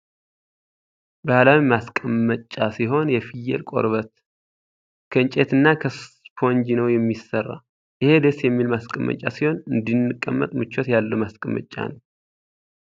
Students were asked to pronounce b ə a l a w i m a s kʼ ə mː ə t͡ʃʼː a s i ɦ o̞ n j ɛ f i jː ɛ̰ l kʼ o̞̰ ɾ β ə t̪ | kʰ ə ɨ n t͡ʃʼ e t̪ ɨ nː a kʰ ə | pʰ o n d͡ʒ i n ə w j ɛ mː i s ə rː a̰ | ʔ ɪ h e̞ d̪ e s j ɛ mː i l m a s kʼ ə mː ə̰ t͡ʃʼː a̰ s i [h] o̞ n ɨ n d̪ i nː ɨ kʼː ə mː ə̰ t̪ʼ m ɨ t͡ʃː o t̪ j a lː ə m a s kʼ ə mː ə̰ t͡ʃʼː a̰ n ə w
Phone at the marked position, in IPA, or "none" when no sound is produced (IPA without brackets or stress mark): h